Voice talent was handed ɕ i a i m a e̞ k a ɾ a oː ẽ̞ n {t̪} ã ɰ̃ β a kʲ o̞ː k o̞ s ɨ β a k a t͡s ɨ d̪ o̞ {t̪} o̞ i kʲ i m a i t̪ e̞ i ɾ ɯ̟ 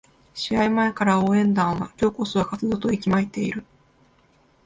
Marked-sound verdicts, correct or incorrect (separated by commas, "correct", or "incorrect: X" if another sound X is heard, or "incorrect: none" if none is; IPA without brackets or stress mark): incorrect: d̪, correct